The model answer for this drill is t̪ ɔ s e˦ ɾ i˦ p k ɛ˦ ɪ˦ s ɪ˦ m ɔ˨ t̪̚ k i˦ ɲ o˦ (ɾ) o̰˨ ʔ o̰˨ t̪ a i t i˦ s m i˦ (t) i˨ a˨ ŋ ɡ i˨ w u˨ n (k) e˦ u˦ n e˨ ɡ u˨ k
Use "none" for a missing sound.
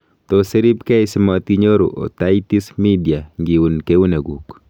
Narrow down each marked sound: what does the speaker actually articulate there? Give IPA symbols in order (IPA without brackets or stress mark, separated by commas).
ɾ, d, k